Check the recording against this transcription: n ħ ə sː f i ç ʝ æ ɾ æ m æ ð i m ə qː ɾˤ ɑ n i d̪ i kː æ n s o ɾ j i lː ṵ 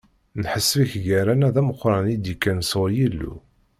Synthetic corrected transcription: n ħ ə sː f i ç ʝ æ ɾ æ n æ ð æ m ə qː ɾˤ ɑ n i d̪ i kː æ n s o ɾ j i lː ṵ